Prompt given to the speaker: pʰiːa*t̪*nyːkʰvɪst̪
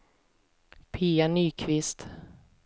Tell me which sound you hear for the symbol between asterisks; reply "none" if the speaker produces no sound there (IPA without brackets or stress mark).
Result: none